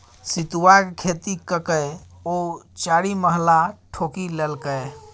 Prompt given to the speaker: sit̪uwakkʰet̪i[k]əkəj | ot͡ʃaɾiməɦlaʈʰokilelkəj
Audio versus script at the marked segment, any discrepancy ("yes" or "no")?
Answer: no